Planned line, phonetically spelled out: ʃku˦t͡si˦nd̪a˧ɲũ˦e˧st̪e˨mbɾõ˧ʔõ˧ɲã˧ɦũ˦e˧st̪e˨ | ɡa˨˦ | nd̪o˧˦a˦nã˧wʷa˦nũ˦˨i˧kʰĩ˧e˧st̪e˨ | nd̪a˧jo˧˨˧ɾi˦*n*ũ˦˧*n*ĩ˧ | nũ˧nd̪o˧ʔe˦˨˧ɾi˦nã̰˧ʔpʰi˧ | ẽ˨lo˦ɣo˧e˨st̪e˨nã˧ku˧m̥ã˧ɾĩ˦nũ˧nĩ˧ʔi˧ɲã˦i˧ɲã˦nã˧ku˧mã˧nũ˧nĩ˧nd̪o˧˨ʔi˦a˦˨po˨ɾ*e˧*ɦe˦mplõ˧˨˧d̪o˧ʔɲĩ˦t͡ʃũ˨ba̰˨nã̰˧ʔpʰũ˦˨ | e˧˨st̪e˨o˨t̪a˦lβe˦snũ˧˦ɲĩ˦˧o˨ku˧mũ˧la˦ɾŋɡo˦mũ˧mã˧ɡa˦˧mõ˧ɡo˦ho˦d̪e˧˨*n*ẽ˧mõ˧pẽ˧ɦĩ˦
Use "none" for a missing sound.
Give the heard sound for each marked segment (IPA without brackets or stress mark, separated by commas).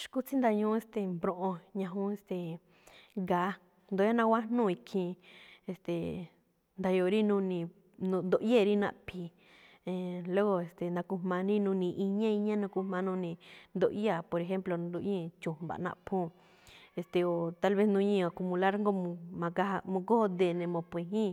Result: n, n, e˧, n